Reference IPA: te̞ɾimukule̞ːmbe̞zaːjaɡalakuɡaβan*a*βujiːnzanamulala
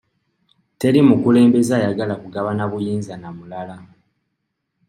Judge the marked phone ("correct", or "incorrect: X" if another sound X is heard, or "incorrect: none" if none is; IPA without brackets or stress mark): correct